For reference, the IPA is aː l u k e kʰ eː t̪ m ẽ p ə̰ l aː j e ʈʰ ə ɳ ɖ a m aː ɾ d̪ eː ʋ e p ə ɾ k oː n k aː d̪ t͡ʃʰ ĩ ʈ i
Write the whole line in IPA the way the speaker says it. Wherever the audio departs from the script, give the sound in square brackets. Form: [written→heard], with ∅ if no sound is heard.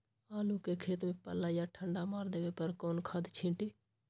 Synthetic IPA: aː l u k e kʰ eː t̪ m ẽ p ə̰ l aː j [e→a] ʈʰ ə ɳ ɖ a m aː ɾ d̪ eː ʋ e p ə ɾ k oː n [k→kʰ] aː d̪ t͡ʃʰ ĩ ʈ i